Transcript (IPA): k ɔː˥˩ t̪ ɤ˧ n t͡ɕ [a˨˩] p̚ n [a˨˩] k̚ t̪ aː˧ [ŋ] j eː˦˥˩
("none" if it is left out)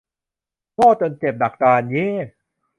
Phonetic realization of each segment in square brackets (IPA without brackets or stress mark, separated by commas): e˨˩, a˨˩, n